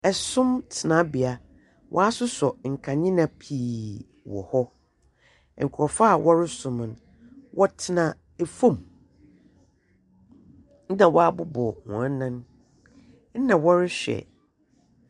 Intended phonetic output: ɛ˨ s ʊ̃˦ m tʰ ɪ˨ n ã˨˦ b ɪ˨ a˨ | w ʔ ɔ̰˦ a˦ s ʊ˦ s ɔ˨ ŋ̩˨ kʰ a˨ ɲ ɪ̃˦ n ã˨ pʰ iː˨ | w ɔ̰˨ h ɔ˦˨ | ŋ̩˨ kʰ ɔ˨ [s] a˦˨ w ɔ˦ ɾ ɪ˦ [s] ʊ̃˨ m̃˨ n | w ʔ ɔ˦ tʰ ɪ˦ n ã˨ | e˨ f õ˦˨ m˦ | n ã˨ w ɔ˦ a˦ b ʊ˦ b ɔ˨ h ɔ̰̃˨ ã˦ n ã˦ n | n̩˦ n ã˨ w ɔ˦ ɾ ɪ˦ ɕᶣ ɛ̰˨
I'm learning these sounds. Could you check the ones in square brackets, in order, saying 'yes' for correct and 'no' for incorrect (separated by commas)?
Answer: no, yes